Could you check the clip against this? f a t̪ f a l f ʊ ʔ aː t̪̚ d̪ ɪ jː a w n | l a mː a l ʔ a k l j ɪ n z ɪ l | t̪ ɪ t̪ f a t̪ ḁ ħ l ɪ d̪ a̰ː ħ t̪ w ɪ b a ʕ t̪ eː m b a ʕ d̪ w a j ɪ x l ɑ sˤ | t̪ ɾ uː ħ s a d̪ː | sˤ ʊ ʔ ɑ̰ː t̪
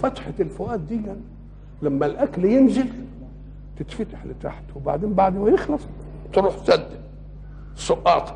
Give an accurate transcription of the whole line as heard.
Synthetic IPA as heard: f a t̪ ħ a l f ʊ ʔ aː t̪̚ d̪ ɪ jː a n | l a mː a l ʔ a k l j ɪ n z ɪ l | t̪ ɪ t̪ f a t̪ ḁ ħ l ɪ t̪ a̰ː ħ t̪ w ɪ b a ʕ d̪ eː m b a ʕ d̪ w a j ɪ x l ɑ sˤ | t̪ ɾ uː ħ s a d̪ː | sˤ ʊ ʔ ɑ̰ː t̪